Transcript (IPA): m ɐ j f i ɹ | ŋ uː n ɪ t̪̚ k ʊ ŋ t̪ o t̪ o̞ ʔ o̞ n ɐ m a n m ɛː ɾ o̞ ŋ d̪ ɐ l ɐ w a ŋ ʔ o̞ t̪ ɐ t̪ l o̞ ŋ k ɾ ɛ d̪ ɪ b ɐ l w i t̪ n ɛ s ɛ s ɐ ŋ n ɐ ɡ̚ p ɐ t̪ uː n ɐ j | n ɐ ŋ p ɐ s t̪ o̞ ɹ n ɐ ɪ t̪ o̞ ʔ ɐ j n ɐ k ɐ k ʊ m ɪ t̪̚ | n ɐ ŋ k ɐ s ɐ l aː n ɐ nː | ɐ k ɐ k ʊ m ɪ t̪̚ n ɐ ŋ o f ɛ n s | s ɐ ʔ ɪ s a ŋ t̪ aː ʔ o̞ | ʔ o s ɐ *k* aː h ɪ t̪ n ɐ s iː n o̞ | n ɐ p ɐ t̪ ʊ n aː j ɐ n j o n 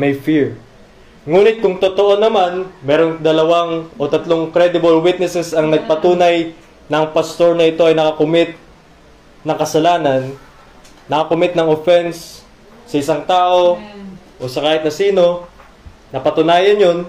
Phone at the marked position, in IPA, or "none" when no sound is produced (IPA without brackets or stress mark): k